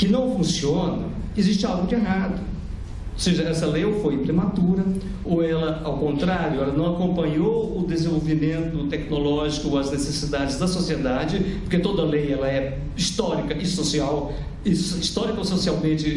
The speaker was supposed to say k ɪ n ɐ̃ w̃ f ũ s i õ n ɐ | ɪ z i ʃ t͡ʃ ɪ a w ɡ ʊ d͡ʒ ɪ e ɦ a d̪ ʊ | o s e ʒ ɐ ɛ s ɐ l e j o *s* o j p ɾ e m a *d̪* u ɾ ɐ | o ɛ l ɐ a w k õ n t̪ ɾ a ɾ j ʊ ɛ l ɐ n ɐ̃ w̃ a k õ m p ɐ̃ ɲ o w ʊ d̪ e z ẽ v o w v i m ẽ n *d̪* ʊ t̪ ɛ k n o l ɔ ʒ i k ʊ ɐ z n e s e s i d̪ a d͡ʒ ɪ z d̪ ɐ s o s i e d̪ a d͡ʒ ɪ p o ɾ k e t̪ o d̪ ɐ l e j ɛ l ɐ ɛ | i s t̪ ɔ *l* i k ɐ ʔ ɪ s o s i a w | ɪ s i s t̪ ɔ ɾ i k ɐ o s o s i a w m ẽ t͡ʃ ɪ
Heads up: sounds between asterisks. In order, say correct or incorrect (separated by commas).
incorrect, incorrect, incorrect, incorrect